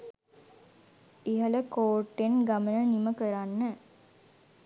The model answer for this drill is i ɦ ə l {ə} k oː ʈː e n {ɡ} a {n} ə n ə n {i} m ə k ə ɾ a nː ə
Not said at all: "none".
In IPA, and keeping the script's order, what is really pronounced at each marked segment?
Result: ə, ɡ, m, i

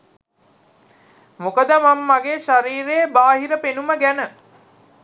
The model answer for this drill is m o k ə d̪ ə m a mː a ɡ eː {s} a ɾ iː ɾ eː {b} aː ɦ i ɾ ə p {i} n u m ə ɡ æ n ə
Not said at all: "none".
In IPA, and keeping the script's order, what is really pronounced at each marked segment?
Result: ʃ, b, e

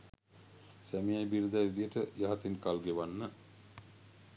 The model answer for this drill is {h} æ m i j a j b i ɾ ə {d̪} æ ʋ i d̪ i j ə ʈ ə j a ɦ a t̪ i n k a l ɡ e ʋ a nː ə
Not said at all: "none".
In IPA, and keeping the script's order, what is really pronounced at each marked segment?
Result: s, d̪

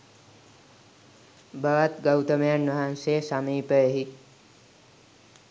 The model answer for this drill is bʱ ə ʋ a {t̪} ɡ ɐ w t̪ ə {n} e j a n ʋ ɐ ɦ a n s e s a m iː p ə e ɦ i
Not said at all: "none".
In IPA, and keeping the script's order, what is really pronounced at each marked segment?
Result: t̪, m

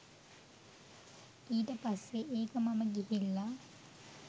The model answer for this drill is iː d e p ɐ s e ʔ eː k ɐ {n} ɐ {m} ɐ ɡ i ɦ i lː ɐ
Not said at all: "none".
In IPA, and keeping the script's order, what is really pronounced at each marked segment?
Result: m, m

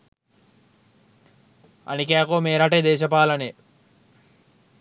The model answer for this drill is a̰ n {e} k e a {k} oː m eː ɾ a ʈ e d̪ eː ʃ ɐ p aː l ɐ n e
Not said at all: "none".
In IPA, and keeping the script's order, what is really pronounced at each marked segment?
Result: i, k

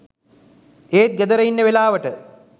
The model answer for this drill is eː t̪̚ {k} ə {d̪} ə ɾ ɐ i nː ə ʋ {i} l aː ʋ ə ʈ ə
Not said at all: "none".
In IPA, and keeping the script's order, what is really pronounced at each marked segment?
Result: ɡ, d̪, e

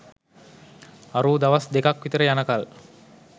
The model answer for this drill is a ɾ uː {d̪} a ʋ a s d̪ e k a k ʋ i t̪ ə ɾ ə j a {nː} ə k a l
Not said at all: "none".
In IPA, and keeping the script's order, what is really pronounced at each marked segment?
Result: d̪, n

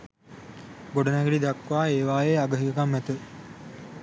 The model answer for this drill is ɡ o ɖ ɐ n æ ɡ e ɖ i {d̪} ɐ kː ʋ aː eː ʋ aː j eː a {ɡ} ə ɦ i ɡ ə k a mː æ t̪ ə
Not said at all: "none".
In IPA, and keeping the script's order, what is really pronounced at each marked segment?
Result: d̪, ɡ

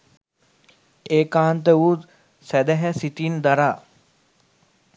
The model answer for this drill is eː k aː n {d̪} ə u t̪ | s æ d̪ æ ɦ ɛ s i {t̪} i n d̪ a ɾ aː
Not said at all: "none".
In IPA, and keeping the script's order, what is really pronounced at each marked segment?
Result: t̪, t̪

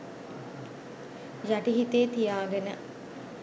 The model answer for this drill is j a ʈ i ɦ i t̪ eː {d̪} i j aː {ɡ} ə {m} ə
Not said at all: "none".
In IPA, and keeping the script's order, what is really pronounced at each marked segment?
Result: t̪, ɡ, n

